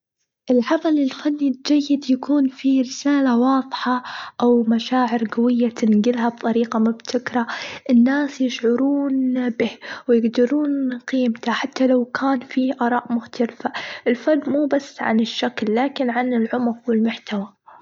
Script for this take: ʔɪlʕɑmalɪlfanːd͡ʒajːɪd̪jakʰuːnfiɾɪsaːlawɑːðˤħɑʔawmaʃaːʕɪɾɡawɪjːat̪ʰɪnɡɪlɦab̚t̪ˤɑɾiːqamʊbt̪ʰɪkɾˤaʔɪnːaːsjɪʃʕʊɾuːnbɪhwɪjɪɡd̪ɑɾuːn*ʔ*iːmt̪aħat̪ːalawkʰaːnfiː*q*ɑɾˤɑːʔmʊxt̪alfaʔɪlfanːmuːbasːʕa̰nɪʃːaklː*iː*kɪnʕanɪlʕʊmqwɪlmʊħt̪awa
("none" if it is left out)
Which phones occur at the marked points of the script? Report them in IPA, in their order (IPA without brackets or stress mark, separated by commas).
q, ʔ, aː